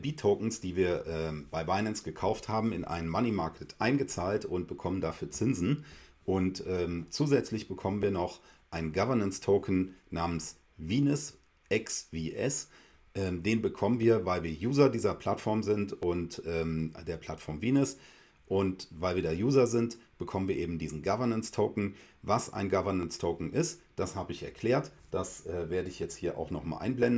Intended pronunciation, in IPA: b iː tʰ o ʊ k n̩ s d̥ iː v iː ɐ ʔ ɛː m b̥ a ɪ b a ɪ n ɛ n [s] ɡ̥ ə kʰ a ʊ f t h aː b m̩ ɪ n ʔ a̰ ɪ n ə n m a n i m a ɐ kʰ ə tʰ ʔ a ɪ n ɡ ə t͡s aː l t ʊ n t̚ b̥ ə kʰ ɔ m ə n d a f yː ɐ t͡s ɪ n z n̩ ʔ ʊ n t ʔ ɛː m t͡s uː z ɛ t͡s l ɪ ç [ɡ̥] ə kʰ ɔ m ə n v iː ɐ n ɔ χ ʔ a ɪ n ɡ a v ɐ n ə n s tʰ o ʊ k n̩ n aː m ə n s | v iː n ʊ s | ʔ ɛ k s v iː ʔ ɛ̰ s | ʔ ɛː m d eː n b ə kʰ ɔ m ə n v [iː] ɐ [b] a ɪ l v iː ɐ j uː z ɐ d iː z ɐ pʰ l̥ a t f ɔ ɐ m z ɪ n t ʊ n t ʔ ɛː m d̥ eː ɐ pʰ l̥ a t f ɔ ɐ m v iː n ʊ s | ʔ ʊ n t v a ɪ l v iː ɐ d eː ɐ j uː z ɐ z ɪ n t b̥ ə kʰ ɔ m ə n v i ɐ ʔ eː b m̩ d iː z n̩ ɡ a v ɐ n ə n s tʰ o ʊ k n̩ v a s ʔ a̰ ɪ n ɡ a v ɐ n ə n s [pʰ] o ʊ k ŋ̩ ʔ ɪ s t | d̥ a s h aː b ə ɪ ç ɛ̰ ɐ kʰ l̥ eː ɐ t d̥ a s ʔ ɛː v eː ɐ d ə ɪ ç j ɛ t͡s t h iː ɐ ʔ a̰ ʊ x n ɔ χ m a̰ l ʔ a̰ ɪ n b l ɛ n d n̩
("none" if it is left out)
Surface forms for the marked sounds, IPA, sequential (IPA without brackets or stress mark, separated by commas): s, b̥, iː, v, tʰ